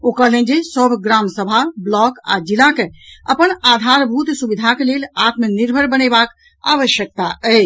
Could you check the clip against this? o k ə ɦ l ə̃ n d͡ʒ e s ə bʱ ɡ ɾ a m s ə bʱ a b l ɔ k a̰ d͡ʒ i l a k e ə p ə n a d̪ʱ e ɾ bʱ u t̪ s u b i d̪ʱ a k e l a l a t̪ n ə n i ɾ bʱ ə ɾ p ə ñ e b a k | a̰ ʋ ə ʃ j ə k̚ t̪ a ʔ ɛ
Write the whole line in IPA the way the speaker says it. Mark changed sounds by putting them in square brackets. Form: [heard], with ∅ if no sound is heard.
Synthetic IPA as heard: o k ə ɦ l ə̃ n d͡ʒ e s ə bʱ ɡ ɾ a m s ə bʱ a b l ɔ k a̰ d͡ʒ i l a k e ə p ə n a d̪ʱ [a] ɾ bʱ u t̪ s u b i d̪ʱ a k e l [e] l a t̪ [m] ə n i ɾ bʱ ə ɾ [b] ə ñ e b a k | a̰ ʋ ə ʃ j ə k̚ t̪ a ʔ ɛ